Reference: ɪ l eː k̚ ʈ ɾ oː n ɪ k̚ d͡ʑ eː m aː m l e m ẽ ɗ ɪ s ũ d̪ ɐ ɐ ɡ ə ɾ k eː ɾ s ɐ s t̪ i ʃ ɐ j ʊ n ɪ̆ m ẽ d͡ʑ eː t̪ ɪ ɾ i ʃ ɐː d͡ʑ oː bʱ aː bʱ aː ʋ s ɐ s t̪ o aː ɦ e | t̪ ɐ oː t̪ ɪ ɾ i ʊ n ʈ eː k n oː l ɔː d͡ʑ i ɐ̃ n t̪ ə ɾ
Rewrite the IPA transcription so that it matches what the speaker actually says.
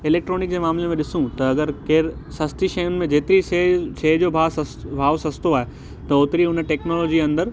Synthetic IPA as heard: ɪ l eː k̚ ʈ ɾ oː n ɪ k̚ d͡ʑ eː m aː m l e m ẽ ɗ ɪ s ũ t̪ ɐ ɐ ɡ ə ɾ k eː ɾ s ɐ s t̪ i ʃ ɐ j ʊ n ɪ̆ m ẽ d͡ʑ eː t̪ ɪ ɾ i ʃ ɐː d͡ʑ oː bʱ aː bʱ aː ʋ s ɐ s t̪ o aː ɦ e | t̪ ɐ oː t̪ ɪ ɾ i ʊ n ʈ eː k n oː l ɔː d͡ʑ i ɐ̃ n d̪ ə ɾ